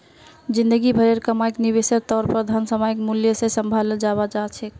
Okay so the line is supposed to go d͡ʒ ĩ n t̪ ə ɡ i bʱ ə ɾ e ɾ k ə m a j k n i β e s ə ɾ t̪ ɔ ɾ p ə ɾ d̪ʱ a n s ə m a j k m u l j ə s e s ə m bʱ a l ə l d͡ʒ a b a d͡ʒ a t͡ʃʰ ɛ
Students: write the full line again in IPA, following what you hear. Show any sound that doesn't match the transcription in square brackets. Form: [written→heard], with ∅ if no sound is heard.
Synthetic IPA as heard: d͡ʒ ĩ n [t̪→d̪] ə ɡ i bʱ ə ɾ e ɾ k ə m a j k n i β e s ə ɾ t̪ ɔ ɾ p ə ɾ d̪ʱ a n s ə m a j k m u l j ə s e s ə m bʱ a l ə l d͡ʒ a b a d͡ʒ a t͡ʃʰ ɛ

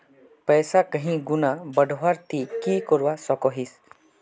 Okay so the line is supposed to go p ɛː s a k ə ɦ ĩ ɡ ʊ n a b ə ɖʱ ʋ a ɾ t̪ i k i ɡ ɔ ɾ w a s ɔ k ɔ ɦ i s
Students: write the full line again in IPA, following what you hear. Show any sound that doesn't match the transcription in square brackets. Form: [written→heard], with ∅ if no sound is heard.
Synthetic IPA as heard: p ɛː s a k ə ɦ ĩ ɡ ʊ n a b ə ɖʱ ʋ a ɾ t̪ i k i [ɡ→k] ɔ ɾ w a s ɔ k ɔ ɦ i s

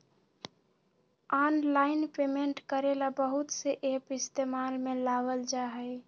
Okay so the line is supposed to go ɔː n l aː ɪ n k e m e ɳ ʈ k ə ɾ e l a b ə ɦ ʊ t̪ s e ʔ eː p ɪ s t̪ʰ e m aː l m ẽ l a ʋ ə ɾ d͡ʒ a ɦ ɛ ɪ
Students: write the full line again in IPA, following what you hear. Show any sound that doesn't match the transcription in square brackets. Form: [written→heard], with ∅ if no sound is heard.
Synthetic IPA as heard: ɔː n l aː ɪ n [k→p] e m e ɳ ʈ k ə ɾ e l a b ə ɦ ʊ t̪ s e ʔ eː p ɪ s [t̪ʰ→t̪] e m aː l m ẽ l a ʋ ə [ɾ→l] d͡ʒ a ɦ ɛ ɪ

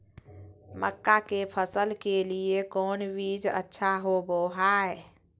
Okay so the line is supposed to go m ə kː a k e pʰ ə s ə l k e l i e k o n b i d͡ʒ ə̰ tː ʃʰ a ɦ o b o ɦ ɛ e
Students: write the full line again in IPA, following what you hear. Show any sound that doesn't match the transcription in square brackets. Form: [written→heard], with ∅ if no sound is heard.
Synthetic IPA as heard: m ə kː a k e pʰ ə s ə l k e l i e k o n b i d͡ʒ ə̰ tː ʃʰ a ɦ o b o ɦ [ɛ→a] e

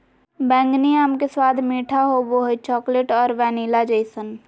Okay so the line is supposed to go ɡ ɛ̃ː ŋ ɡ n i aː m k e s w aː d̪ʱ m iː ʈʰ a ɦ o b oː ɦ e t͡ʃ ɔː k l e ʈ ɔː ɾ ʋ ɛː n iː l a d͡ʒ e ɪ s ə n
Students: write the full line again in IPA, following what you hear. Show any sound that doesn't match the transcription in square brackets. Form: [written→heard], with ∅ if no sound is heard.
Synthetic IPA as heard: [ɡ→b] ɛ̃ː ŋ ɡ n i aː m k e s w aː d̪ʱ m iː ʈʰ a ɦ o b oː ɦ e t͡ʃ ɔː k l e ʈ ɔː ɾ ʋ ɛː n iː l a d͡ʒ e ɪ s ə n

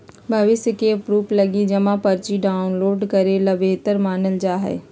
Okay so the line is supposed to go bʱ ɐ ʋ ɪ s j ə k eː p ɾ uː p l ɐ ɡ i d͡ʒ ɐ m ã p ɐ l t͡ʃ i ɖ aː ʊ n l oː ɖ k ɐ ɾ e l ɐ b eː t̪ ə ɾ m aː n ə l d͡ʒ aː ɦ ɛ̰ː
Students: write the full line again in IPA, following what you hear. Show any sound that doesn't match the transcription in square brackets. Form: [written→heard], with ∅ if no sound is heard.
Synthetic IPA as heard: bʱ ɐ ʋ ɪ s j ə k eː p ɾ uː p l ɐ ɡ i d͡ʒ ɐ m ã p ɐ [l→ɾ] t͡ʃ i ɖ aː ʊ n l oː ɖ k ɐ ɾ e l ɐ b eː t̪ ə ɾ m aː n ə l d͡ʒ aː ɦ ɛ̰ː

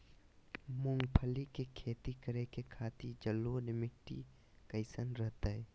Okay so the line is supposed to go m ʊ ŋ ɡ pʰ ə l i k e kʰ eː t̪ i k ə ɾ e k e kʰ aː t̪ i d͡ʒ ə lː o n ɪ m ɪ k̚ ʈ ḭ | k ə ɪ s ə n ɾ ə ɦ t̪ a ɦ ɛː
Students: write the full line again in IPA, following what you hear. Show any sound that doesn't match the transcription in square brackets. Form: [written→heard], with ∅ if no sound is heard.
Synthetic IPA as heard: m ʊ ŋ ɡ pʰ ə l i k e kʰ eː t̪ i k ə ɾ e k e kʰ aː t̪ i d͡ʒ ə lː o n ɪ m ɪ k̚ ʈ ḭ | k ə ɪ s ə n ɾ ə ɦ t̪ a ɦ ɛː

